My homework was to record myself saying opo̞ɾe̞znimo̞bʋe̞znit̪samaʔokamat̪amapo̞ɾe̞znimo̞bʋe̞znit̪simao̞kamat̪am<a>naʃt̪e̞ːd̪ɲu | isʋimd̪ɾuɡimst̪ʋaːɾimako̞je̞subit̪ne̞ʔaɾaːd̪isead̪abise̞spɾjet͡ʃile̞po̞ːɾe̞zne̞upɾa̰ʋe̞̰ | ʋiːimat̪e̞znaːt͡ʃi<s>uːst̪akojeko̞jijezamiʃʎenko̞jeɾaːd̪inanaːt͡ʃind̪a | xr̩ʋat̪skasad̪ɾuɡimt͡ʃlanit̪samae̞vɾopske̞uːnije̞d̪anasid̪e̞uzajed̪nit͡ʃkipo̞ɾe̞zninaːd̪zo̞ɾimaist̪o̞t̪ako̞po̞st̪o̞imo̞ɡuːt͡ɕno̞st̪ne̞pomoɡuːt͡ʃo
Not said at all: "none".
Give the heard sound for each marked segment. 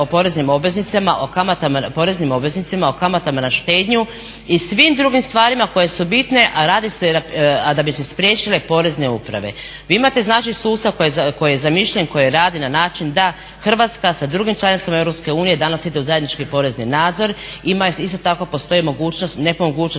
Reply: a, s

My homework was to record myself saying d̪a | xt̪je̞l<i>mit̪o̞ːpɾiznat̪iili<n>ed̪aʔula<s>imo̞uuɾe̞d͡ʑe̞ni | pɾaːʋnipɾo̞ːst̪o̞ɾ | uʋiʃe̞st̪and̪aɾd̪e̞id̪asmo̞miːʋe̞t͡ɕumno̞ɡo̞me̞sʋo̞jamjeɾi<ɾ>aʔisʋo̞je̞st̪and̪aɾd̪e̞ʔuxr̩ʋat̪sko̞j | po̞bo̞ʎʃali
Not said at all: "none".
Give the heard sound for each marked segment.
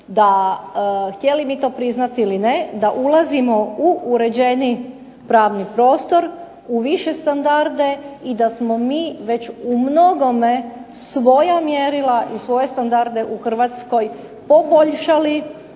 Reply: i, n, z, l

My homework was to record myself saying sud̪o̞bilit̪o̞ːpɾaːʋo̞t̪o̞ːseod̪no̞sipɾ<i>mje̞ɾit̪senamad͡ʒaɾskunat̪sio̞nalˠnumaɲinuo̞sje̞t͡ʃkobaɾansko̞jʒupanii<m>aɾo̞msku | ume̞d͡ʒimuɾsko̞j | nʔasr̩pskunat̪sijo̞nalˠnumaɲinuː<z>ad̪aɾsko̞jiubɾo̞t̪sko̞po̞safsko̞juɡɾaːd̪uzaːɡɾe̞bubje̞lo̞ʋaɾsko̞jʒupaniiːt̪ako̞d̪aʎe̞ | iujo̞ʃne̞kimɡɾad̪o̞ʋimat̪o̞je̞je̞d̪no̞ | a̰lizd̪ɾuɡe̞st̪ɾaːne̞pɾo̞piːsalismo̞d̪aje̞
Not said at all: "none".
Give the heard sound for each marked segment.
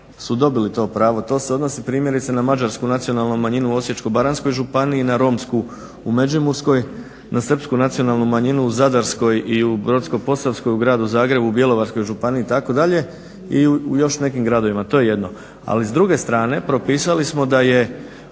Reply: iː, n, z

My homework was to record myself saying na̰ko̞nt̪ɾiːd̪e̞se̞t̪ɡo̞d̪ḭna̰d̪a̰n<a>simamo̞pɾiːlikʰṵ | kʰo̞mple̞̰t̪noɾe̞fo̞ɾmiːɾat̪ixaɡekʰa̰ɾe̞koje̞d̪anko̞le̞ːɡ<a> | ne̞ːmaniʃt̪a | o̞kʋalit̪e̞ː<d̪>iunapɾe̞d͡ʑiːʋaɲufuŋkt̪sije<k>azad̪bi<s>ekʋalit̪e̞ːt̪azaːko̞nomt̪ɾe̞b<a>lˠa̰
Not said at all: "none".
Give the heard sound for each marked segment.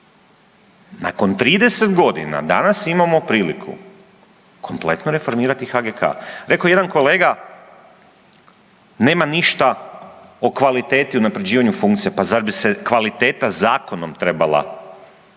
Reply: a, a, t̪, p, s, a

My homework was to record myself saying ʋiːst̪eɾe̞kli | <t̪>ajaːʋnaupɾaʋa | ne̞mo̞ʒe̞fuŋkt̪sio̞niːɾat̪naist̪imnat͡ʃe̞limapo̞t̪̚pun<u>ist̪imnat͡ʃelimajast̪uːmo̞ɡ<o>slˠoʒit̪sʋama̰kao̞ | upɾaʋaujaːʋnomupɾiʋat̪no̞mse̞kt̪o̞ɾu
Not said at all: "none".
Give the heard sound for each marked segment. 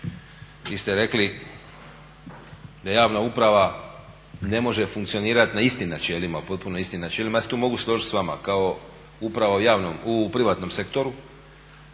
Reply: d̪, o, u

